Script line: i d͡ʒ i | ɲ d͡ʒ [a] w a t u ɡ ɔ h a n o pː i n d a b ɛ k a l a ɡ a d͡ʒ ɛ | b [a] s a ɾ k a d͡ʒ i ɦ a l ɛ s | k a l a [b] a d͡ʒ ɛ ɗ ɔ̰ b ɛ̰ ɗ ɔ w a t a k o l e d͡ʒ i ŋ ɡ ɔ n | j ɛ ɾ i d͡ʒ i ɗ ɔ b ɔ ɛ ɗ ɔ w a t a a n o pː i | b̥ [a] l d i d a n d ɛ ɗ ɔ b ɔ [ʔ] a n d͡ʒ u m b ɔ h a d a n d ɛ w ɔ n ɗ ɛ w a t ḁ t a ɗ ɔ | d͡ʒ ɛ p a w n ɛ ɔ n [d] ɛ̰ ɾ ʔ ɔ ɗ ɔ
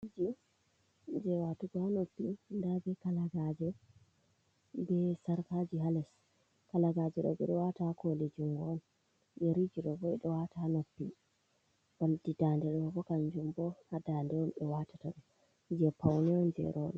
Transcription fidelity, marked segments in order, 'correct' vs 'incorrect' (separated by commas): incorrect, incorrect, incorrect, correct, incorrect, incorrect